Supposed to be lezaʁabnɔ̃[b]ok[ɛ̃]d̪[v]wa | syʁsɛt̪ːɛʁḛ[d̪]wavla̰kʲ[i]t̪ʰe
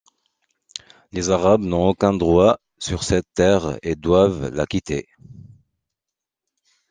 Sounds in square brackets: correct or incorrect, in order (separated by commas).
incorrect, correct, incorrect, correct, correct